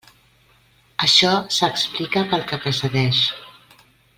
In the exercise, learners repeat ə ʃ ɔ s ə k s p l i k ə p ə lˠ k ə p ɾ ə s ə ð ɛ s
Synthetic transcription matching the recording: ə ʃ ɔ s ə k s p l i k ə p ə lˠ k ə p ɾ ə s ə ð ɛ ʃ

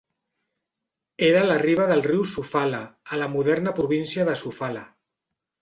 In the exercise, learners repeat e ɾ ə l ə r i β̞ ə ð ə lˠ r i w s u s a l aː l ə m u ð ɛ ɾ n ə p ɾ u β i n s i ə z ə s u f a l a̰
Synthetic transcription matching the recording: e ɾ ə l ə r i β̞ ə ð ə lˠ r i w s u f a l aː l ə m u ð ɛ ɾ n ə p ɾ u β i n s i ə ð ə s u f a l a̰

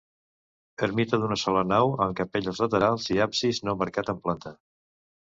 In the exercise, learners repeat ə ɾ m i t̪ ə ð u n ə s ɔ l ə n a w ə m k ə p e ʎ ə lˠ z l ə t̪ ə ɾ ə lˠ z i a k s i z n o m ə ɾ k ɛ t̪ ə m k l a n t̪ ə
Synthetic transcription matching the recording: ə ɾ m i t̪ ə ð u n ə s ɔ l ə n a w ə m k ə p e ʎ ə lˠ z l ə t̪ ə ɾ a lˠ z i a p s i z n o m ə ɾ k a t̪ ə m p l a n t̪ ə

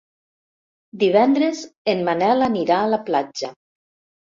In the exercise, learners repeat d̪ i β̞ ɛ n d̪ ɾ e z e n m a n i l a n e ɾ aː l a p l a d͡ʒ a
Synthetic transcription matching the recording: d̪ i β̞ ɛ n d̪ ɾ e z e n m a n ɛ l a n i ɾ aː l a p l a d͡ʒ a

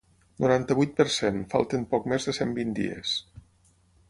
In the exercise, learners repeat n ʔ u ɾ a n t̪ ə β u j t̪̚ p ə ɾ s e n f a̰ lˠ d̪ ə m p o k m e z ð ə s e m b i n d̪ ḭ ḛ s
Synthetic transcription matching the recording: n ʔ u ɾ a n t̪ ə β u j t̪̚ p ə ɾ s e n f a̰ lˠ t̪ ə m p ɔ k m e z ð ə s e m b i n d̪ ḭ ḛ s

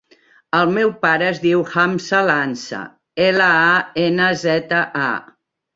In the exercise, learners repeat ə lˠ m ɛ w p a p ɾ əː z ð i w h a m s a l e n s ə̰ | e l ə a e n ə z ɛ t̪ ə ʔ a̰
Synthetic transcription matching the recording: ə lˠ m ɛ w p a ɾ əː z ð i w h a m s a l a n s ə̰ | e l ə a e n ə z ɛ t̪ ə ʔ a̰

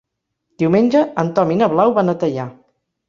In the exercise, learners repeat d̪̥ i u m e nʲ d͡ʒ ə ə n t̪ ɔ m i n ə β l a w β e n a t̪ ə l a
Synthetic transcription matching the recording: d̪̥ i w m e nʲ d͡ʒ ə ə n t̪ ɔ m i n ə β l a w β a n ə t̪ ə ʎ a

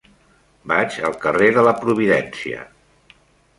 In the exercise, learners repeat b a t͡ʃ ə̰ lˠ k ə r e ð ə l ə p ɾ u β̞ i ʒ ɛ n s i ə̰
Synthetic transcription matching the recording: b a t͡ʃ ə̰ lˠ k ə r e ð ə l ə p ɾ u β̞ i ð ɛ n s i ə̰

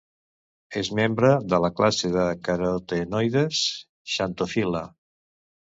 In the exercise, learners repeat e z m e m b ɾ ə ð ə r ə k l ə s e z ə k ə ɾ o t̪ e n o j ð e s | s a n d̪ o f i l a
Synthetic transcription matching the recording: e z m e m b ɾ ə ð ə l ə k l a s e ð ə k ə ɾ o t̪ e n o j ð e s | ʃ a n t̪ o f i l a

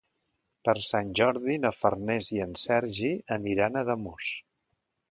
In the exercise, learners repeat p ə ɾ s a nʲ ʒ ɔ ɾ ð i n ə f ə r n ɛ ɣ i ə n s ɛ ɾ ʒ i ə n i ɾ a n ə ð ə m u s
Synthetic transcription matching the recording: p ə ɾ s a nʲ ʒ ɔ ɾ ð i n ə f ə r n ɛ z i ə n s ɛ ɾ ʒ i ə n i ɾ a n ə ð ə m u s

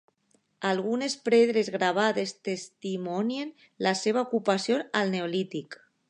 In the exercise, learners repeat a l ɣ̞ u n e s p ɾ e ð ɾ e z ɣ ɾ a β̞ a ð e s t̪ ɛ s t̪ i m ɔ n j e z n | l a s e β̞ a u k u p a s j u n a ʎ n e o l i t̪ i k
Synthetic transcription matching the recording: a l ɣ̞ u n e s p ɾ e ð ɾ e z ɣ ɾ a β̞ a ð e s t̪ e s t̪ i m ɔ n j e n | l a s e β̞ a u k u p a s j o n a l n e o l i t̪ i k

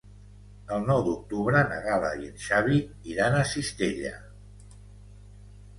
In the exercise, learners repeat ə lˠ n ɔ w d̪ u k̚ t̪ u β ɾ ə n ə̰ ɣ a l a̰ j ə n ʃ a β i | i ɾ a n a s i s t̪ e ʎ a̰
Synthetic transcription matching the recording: ə lˠ n ɔ w d̪ u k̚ t̪ u β ɾ ə n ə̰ ɣ a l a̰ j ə n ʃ a β i | i ɾ a n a s i s t̪ e ʎ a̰

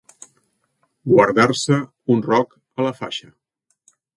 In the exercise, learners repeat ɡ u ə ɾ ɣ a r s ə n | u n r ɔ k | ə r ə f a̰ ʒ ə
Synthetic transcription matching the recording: ɡ w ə ɾ ð a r s ə | u n r ɔ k | ə l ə f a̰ ʃ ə

